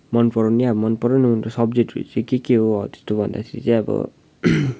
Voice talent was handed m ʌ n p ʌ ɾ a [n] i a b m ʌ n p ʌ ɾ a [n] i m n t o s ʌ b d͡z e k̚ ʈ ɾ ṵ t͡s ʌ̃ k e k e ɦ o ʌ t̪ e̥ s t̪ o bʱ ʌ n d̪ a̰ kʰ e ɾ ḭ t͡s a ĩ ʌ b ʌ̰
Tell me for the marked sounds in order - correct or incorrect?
correct, correct

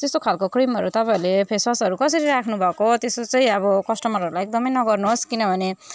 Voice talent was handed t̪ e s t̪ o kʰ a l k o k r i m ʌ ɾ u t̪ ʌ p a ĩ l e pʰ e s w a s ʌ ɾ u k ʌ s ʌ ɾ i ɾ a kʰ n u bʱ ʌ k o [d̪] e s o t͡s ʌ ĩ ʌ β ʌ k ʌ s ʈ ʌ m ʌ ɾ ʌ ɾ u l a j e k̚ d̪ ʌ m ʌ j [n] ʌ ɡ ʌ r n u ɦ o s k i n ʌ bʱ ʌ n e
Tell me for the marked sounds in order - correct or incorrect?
incorrect, correct

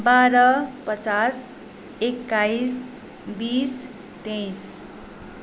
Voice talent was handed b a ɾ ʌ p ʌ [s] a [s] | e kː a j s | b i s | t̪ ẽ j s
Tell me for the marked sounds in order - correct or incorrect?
incorrect, correct

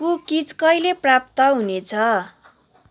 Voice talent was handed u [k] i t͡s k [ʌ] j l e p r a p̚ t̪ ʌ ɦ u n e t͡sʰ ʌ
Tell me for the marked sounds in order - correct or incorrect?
correct, correct

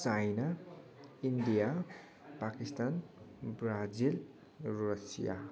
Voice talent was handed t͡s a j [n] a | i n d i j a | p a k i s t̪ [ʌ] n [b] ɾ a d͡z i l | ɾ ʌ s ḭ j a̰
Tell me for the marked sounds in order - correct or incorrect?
correct, incorrect, correct

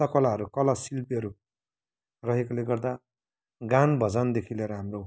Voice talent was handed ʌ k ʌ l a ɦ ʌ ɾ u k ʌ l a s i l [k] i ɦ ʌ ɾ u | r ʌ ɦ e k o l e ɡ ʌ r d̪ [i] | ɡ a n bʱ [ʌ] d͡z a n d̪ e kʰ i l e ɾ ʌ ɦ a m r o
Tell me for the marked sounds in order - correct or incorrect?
incorrect, incorrect, correct

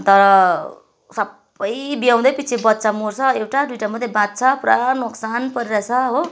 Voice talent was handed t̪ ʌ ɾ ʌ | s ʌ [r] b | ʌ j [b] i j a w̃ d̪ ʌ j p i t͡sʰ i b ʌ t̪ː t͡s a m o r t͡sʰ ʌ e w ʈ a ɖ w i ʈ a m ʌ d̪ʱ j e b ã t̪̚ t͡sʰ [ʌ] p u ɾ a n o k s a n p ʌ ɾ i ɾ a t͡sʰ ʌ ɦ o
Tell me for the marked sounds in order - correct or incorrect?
incorrect, correct, correct

